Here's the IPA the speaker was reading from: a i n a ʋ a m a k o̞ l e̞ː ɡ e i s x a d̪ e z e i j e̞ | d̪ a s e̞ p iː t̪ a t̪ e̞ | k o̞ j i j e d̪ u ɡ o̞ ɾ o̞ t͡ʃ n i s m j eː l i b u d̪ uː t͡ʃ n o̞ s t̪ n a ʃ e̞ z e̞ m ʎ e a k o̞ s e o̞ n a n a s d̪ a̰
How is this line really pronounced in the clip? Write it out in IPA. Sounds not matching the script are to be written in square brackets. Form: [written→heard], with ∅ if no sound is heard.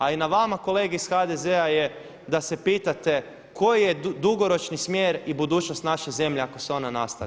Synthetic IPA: a i n a ʋ a m a k o̞ l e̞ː ɡ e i s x a d̪ e z e [i→a] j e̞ | d̪ a s e̞ p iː t̪ a t̪ e̞ | k o̞ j i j e d̪ u ɡ o̞ ɾ o̞ t͡ʃ n i s m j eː [l→ɾ] i b u d̪ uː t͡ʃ n o̞ s t̪ n a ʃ e̞ z e̞ m ʎ e a k o̞ s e o̞ n a n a s [d̪→t̪] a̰